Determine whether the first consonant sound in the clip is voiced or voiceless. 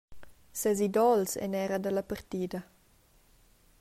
voiceless